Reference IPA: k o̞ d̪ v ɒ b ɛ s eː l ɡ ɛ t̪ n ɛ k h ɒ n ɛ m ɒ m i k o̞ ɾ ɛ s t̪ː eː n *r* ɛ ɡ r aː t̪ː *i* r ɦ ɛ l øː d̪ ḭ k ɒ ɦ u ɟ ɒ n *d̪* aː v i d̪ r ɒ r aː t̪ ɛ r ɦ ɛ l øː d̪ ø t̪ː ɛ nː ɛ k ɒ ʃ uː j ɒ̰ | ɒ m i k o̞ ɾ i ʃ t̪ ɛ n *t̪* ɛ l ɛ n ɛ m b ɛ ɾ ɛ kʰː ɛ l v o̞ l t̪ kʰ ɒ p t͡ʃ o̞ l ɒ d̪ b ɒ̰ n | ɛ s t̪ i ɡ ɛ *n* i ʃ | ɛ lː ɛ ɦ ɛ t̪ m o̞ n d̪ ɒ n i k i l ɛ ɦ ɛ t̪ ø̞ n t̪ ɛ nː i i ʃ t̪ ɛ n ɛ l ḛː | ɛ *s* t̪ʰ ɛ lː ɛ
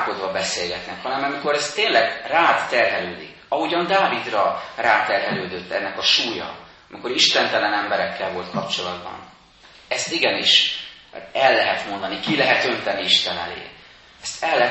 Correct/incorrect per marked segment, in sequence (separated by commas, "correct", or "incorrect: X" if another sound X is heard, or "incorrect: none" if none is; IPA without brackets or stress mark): incorrect: l, incorrect: ɛ, correct, correct, correct, correct